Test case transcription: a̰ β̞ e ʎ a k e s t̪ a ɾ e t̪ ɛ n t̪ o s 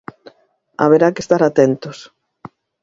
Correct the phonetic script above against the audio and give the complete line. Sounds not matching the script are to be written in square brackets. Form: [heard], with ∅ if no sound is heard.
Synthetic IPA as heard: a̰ β̞ e [ɾ] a k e s t̪ a ɾ [a] t̪ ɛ n t̪ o s